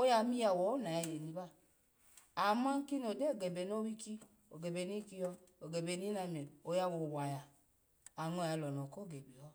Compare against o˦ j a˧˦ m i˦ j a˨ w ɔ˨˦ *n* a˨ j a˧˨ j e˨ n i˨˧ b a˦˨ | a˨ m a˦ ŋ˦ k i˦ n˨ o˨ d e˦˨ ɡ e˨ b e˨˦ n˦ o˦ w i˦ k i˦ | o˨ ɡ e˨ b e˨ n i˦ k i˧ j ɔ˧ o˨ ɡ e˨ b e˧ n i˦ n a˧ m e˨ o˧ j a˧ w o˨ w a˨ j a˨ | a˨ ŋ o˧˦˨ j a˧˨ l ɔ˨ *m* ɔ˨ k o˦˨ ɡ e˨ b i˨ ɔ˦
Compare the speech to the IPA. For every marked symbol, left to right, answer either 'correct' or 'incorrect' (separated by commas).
correct, incorrect